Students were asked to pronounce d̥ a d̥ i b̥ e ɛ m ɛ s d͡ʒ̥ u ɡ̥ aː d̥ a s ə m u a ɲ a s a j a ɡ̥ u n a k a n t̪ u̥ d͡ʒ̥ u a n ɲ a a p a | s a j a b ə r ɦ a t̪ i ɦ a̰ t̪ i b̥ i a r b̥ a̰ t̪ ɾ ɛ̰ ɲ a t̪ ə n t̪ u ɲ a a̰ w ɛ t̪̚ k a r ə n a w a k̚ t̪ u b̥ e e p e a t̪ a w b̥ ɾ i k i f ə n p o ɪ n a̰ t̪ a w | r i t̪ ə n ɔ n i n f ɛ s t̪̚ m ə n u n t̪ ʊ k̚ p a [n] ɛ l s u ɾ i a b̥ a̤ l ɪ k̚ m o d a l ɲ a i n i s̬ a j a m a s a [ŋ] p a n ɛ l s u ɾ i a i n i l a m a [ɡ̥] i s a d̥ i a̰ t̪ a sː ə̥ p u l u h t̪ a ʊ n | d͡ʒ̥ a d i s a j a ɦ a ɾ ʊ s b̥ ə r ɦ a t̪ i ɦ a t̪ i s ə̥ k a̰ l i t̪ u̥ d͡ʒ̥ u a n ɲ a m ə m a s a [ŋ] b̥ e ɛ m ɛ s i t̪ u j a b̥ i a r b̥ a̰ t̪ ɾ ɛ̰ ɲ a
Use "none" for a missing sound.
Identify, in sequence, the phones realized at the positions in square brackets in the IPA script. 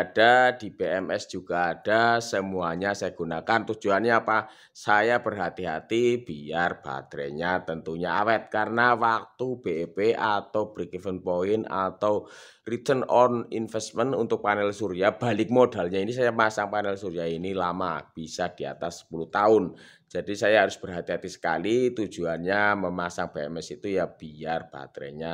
n, ŋ, b̥, ŋ

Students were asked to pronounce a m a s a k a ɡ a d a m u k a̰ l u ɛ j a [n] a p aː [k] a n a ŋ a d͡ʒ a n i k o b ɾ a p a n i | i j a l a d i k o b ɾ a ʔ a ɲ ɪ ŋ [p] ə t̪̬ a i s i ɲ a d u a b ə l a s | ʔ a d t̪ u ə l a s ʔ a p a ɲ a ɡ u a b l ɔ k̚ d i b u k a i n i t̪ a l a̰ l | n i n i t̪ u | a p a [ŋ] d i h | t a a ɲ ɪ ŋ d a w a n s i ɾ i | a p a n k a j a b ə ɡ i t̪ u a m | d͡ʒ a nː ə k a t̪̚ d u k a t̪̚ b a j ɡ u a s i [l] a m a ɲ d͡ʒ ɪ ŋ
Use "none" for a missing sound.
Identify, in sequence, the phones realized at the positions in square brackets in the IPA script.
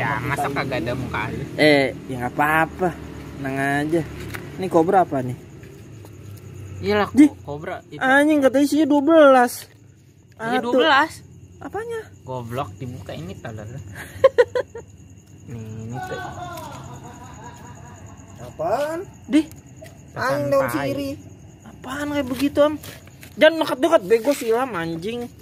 ŋ, p, k, n, l

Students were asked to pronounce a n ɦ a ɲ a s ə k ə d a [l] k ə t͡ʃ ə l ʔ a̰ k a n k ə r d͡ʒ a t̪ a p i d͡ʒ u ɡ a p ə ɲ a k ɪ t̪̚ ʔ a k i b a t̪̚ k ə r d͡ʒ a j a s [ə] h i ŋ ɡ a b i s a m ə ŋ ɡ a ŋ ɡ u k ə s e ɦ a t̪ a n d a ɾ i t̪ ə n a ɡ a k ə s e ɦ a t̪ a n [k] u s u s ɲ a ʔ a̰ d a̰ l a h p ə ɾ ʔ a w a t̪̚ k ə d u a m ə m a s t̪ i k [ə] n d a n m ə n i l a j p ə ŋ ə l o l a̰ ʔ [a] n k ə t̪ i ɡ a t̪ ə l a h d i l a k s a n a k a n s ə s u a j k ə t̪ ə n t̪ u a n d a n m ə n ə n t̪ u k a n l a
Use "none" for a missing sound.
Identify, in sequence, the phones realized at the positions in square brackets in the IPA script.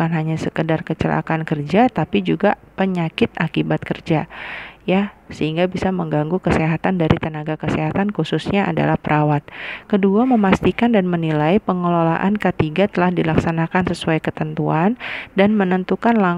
r, ə, k, a, a

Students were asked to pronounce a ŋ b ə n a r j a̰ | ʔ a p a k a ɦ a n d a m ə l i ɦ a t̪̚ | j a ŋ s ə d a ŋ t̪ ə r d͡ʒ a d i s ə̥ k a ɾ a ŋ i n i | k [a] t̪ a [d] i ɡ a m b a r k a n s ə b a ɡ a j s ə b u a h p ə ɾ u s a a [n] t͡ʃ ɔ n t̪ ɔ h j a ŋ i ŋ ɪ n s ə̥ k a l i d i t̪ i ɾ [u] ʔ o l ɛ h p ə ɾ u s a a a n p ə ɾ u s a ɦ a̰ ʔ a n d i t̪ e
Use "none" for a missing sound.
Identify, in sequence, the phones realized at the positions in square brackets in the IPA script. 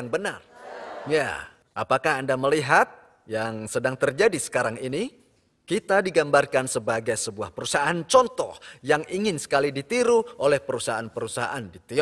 i, d, n, u

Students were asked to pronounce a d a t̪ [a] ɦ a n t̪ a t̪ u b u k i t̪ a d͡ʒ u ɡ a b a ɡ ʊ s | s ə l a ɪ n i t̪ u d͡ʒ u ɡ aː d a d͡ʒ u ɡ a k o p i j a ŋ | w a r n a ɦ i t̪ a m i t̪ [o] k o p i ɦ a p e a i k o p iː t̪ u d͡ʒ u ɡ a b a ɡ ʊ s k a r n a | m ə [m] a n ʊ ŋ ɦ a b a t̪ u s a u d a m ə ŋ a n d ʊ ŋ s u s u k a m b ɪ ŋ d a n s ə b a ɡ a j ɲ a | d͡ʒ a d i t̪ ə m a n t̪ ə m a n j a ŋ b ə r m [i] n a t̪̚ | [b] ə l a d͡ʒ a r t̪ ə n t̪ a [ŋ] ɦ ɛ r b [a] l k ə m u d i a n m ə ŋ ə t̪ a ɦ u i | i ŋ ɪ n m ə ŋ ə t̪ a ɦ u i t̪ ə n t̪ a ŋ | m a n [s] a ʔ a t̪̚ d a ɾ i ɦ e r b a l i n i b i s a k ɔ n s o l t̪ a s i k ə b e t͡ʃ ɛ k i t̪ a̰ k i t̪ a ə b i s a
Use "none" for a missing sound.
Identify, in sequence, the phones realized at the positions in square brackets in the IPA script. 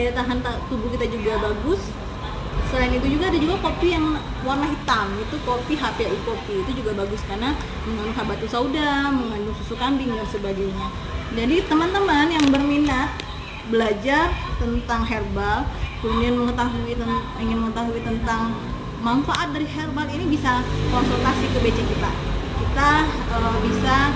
a, u, ŋ, i, b, ŋ, a, f

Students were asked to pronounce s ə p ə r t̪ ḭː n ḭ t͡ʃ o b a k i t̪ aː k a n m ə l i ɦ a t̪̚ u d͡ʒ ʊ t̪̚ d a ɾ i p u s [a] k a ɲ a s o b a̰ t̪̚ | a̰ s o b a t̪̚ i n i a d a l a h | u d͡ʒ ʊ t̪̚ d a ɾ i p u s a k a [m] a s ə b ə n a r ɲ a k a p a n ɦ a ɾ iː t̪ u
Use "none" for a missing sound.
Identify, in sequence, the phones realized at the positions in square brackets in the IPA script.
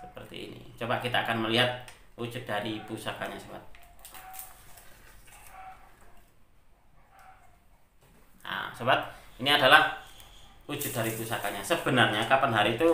a, ɲ

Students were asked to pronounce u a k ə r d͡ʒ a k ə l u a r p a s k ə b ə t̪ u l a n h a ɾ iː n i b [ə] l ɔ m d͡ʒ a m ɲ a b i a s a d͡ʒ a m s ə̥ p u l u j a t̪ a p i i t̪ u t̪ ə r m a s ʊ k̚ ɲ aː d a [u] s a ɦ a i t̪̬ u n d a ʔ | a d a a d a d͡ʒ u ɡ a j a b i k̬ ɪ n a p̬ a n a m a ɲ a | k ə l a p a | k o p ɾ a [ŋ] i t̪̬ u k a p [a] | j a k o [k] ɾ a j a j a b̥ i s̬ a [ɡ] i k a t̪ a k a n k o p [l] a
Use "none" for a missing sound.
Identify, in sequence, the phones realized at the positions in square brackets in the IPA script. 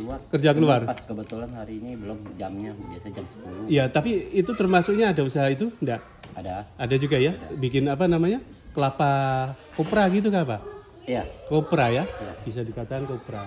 ə, u, ɡ, a, p, d, ɾ

